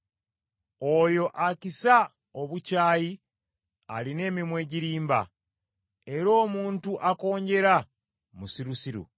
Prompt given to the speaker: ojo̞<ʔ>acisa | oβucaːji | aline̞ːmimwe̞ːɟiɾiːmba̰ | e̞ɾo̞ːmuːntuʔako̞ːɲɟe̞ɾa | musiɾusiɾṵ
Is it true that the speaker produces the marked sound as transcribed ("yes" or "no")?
yes